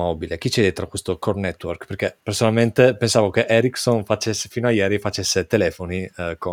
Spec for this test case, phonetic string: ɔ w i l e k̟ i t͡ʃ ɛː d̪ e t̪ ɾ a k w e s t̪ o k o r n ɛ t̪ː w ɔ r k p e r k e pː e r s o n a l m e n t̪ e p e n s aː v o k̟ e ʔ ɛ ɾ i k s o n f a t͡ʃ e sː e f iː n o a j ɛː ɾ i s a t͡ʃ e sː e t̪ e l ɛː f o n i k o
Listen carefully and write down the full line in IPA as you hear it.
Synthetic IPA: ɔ b i l e k̟ i t͡ʃ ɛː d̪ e t̪ ɾ a k w e s t̪ o k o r n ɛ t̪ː w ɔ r k p e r k e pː e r s o n a l m e n t̪ e p e n s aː v o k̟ e ʔ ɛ ɾ i k s o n f a t͡ʃ e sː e f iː n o a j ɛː ɾ i f a t͡ʃ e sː e t̪ e l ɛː f o n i k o